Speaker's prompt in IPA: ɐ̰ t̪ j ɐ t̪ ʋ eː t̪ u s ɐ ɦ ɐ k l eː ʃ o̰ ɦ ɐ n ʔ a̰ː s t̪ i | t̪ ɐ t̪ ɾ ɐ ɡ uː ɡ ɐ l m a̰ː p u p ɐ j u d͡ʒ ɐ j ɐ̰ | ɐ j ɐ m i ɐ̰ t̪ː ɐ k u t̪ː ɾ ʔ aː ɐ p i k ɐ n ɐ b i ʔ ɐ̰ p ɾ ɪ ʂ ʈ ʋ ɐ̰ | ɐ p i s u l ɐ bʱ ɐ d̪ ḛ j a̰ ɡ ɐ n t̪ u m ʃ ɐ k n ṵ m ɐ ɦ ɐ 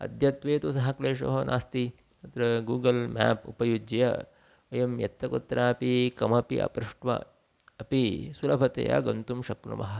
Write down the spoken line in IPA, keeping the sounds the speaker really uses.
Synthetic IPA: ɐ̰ d̪ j ɐ t̪ ʋ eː t̪ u s ɐ ɦ ɐ k l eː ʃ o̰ ɦ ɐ n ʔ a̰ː s t̪ i | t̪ ɐ t̪ ɾ ɐ ɡ uː ɡ ɐ l m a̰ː p u p ɐ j u d͡ʒ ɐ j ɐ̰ | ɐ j ɐ m j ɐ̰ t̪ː ɐ k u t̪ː ɾ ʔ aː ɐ p i k ɐ m ɐ p i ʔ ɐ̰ p ɾ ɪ ʂ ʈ ʋ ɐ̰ | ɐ p i s u l ɐ bʱ ɐ t̪ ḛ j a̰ ɡ ɐ n t̪ u m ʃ ɐ k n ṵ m ɐ ɦ ɐ